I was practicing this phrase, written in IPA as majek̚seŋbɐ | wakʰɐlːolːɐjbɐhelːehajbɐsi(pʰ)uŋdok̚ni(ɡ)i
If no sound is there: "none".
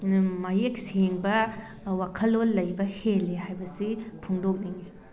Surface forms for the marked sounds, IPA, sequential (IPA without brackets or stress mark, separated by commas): pʰ, ŋ